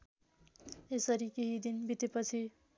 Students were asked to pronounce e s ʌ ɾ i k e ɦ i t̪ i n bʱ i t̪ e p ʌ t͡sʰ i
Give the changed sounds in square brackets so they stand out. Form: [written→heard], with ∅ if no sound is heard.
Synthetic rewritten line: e s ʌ ɾ i k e ɦ i [t̪→d̪] i n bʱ i t̪ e p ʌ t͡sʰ i

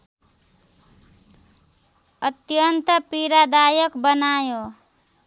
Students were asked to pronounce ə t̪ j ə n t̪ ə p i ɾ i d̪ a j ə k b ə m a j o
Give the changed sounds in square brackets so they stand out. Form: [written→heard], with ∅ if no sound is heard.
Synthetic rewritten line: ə t̪ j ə n t̪ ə p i ɾ [i→a] d̪ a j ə k b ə [m→n] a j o

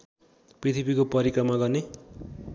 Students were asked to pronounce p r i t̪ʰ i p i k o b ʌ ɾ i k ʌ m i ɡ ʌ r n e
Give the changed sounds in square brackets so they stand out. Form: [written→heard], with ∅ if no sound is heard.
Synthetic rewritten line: p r i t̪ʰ i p i k o [b→p] ʌ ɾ i k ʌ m [i→a] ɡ ʌ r n e

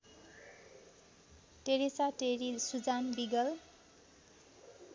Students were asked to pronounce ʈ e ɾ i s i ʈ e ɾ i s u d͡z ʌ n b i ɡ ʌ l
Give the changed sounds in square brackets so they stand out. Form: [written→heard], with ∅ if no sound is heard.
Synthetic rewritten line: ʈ e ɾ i s [i→a] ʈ e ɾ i s u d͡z [ʌ→a] n b i ɡ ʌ l

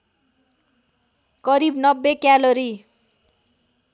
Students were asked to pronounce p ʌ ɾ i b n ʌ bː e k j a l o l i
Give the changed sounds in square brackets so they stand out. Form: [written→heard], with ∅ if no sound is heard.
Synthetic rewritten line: [p→k] ʌ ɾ i b n ʌ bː e k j a l o [l→ɾ] i

